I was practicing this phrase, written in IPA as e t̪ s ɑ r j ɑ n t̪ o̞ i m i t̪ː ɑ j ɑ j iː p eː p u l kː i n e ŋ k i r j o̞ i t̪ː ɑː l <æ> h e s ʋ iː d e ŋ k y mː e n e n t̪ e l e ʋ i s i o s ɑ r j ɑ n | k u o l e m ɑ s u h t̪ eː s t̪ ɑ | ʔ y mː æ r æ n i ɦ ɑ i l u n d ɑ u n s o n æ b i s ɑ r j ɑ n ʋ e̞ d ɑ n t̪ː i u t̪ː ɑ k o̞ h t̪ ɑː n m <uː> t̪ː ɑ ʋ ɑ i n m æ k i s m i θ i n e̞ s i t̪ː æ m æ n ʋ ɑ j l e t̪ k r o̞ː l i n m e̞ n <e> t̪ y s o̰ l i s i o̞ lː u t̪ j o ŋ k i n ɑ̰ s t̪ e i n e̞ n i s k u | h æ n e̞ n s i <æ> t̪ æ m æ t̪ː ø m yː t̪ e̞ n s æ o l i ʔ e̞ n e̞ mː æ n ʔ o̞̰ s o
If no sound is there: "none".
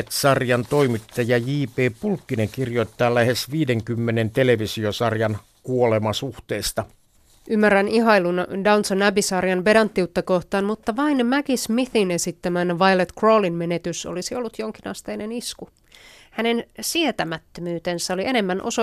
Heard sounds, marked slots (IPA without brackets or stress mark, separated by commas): æ, u, e, e